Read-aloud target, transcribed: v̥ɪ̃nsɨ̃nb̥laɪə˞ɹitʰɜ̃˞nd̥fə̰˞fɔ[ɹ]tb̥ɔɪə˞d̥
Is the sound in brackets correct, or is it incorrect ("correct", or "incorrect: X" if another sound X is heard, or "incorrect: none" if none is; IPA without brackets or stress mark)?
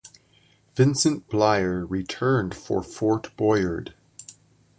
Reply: correct